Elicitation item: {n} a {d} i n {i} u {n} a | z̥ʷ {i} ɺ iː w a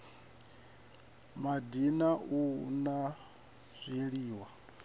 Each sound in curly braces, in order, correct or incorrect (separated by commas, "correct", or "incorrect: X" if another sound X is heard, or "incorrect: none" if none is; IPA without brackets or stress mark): incorrect: m, correct, incorrect: a, correct, correct